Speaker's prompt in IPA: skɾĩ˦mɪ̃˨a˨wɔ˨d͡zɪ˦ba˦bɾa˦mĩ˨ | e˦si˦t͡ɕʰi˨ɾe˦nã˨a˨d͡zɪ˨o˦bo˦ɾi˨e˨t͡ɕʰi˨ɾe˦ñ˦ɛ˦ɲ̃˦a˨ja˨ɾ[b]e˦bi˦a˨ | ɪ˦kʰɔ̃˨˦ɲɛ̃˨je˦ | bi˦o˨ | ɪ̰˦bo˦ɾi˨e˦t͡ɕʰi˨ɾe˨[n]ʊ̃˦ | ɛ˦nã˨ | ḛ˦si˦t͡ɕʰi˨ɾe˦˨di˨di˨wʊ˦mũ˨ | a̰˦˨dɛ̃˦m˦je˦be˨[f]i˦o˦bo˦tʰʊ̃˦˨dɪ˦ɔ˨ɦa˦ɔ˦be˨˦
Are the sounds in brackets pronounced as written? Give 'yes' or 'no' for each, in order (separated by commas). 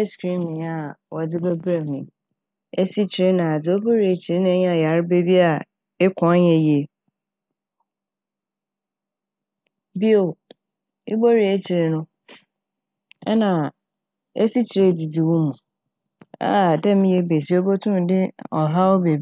yes, yes, no